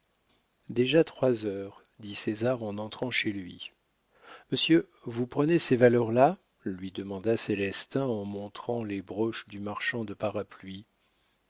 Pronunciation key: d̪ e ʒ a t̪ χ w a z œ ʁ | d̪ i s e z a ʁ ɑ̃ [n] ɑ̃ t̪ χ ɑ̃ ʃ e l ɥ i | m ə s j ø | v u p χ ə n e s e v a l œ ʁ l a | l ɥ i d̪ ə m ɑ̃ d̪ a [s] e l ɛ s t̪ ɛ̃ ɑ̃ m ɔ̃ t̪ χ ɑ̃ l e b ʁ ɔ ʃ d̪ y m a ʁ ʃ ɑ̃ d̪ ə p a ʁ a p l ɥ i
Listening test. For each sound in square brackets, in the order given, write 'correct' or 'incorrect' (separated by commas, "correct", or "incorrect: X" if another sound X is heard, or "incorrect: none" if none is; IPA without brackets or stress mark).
correct, correct